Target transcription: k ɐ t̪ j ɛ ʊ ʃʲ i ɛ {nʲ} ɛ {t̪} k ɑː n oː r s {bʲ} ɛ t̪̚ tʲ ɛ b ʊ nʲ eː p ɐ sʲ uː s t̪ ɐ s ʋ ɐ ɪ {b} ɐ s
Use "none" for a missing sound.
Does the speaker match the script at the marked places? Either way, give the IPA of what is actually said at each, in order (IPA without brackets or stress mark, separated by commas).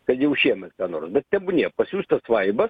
mʲ, t̪, bʲ, b